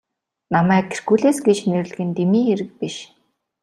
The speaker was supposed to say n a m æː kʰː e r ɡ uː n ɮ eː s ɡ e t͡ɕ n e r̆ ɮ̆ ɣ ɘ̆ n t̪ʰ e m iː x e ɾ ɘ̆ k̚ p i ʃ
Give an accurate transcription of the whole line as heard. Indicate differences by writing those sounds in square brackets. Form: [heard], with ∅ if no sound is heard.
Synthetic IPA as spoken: n a m æː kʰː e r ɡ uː [∅] ɮ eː s ɡ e t͡ɕ n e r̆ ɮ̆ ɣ ɘ̆ n [t̪] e m iː x e ɾ ɘ̆ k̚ p i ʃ